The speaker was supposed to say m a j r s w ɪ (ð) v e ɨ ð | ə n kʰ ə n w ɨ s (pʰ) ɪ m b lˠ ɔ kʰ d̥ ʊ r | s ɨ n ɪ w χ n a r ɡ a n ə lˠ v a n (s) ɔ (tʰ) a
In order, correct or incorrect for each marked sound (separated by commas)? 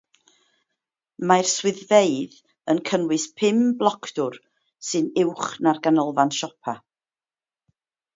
correct, correct, incorrect, incorrect